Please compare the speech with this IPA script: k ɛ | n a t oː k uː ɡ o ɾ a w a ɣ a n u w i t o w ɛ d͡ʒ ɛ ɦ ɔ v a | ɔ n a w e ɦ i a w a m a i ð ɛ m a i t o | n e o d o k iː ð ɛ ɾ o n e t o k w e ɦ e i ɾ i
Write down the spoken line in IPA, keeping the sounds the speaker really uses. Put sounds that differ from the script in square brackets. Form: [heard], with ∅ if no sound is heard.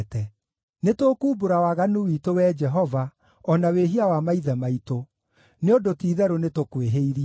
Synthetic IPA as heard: [t] ɛ | n [e] t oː k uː [b] o ɾ a w a ɣ a n u w i t o w ɛ d͡ʒ ɛ ɦ ɔ v a | ɔ n a w e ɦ i a w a m a i ð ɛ m a i t o | n e o d o [t] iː ð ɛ ɾ o n e t o k w e ɦ e i ɾ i